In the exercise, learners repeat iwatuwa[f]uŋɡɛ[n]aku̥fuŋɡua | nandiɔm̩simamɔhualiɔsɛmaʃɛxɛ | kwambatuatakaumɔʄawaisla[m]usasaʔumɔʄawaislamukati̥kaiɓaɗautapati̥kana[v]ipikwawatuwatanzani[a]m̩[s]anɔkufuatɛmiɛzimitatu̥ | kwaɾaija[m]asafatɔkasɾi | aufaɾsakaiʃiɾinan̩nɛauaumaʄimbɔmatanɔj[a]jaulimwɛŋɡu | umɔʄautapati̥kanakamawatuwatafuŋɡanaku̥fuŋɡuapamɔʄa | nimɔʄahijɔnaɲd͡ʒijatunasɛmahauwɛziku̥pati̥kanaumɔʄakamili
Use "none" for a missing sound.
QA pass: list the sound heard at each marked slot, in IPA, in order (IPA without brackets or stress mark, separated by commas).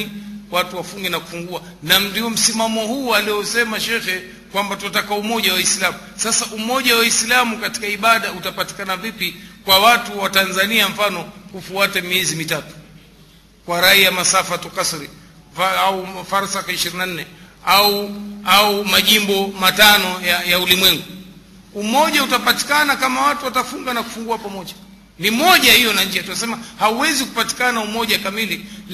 f, n, m, v, a, f, m, a